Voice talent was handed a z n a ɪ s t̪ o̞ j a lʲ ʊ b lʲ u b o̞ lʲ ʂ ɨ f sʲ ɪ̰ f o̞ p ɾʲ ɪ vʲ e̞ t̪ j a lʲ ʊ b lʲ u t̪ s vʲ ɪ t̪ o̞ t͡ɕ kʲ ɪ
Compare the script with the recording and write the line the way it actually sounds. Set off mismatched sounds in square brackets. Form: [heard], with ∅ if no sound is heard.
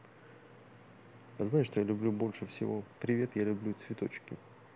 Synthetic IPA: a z n a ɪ [ʂ] t̪ o̞ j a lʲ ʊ b lʲ u b o̞ lʲ ʂ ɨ f sʲ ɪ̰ [v] o̞ p ɾʲ ɪ vʲ e̞ t̪ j a lʲ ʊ b lʲ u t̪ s vʲ ɪ t̪ o̞ t͡ɕ kʲ ɪ